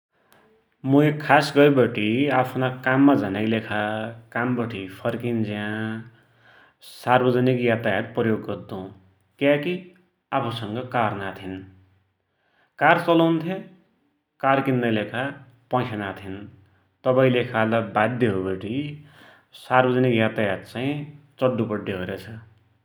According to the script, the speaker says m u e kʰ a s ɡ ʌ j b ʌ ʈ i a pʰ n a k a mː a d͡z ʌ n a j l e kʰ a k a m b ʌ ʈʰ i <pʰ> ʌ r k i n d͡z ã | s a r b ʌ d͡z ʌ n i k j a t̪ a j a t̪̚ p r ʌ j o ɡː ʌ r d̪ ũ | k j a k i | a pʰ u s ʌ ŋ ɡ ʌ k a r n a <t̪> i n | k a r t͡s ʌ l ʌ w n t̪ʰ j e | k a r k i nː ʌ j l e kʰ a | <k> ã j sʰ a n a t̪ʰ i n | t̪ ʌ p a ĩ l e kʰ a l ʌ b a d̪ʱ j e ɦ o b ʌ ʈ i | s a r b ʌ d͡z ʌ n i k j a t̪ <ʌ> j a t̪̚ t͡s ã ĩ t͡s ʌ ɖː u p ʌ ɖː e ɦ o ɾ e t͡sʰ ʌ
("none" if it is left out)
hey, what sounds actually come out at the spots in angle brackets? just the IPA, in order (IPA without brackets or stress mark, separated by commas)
pʰ, t̪ʰ, p, a